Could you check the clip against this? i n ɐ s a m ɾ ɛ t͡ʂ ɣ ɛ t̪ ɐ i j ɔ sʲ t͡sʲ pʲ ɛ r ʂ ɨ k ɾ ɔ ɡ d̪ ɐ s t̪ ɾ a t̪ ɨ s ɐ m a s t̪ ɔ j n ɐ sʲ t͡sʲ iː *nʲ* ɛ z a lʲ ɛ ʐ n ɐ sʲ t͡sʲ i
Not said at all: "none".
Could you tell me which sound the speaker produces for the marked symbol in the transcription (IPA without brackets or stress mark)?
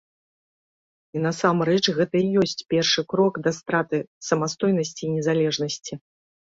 nʲ